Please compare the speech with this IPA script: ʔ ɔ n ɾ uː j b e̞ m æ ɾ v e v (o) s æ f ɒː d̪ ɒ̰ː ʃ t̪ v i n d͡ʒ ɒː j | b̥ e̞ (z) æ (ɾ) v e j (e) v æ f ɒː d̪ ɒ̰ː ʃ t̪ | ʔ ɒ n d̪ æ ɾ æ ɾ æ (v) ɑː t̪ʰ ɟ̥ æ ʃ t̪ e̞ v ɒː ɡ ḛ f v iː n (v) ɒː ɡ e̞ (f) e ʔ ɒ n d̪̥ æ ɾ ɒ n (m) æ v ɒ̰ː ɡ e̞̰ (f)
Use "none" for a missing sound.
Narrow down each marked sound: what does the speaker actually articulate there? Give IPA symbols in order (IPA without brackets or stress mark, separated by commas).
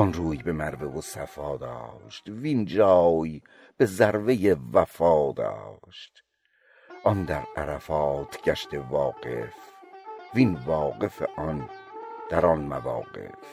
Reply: o, z, ɾ, e, f, v, f, m, f